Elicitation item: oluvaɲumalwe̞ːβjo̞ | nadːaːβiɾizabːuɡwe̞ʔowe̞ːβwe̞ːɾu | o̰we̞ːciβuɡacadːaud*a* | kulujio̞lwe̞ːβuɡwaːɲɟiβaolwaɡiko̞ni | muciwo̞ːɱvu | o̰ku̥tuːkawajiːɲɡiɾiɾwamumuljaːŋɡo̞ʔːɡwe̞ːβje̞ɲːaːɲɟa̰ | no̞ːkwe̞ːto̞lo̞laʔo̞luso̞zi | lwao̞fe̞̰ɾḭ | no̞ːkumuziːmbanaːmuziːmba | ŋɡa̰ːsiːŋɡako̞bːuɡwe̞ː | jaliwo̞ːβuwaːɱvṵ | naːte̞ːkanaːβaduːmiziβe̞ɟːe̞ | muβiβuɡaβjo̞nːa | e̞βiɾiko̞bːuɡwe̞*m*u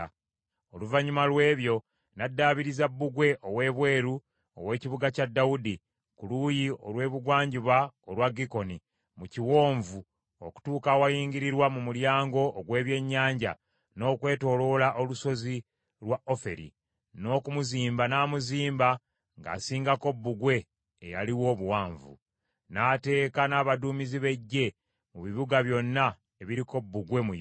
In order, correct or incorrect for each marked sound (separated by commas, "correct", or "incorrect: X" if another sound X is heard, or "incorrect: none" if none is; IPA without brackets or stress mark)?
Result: incorrect: i, correct